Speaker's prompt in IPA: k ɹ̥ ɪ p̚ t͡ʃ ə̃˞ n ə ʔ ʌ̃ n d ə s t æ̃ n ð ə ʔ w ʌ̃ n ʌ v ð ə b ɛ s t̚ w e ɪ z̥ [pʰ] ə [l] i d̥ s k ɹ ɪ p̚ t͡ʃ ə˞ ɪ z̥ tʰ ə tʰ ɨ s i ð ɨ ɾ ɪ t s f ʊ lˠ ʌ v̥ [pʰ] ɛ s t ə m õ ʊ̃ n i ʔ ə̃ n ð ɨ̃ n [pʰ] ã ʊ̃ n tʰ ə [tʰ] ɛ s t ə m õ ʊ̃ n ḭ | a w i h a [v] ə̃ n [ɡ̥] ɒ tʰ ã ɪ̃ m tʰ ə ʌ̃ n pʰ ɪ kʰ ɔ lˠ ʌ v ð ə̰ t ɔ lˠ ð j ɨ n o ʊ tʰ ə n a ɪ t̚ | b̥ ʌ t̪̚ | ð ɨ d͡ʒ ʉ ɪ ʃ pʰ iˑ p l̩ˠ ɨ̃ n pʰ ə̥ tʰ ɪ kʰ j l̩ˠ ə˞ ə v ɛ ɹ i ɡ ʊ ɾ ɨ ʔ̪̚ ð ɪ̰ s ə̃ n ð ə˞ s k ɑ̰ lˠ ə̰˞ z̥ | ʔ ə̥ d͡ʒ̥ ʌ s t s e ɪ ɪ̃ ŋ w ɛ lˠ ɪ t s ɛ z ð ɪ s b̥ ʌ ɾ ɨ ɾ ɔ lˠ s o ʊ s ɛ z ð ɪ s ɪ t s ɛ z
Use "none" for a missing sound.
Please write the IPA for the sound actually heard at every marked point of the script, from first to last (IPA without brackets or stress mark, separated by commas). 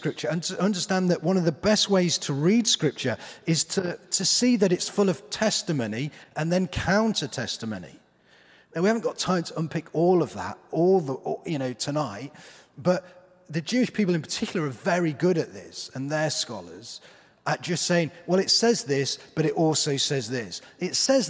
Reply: tʰ, ɹ, tʰ, kʰ, tʰ, v, ɡ̥